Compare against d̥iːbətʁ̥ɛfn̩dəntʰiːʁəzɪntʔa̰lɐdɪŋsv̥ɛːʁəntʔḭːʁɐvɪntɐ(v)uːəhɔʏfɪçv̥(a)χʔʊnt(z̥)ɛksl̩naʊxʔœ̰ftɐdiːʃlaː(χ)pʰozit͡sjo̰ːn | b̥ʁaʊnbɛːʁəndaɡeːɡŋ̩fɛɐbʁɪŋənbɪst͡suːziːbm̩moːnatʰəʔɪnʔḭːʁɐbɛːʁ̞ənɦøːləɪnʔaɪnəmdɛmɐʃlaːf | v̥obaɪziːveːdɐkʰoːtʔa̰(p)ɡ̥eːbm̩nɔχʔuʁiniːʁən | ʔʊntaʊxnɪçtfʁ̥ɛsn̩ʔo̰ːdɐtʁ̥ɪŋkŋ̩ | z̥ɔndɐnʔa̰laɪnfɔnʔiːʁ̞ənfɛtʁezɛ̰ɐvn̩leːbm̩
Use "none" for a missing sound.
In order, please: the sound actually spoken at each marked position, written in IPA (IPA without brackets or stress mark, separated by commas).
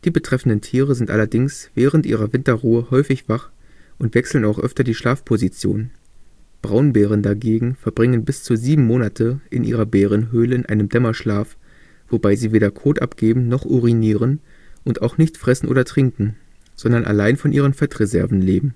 ʁ, a, v̥, f, p